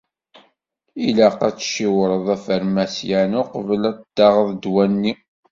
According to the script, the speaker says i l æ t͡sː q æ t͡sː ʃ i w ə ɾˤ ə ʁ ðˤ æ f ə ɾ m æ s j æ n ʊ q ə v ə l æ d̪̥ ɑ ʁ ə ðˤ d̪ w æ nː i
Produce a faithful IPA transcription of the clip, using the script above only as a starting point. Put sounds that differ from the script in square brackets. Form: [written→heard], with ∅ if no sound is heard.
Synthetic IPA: i l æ [t͡sː→∅] q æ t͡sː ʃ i w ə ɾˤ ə [ʁ→∅] ðˤ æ f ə ɾ m æ s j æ n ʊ q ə v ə l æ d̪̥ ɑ ʁ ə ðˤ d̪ w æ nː i